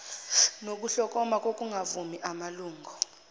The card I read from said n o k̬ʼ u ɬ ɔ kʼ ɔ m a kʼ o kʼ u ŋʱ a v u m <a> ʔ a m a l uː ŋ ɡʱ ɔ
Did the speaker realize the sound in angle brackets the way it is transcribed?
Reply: no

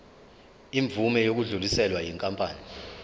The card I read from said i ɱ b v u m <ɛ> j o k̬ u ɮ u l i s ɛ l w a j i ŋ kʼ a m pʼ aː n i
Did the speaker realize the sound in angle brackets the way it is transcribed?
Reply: yes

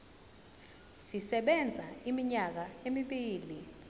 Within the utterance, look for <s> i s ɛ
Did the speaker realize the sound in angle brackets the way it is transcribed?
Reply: yes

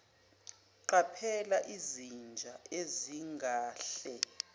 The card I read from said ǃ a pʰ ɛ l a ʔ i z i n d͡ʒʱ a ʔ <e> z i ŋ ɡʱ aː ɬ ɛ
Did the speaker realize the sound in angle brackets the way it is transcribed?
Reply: yes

